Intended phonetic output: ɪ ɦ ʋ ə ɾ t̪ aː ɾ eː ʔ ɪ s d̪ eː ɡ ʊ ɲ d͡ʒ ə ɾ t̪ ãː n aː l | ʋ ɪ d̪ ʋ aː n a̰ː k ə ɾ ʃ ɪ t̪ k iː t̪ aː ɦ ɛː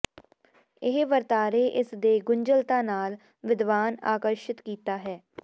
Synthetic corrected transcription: ɪ ɦ ʋ ə ɾ t̪ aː ɾ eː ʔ ɪ s d̪ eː ɡ ʊ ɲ d͡ʒ ə l t̪ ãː n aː l | ʋ ɪ d̪ ʋ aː n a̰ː k ə ɾ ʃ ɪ t̪ k iː t̪ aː ɦ ɛː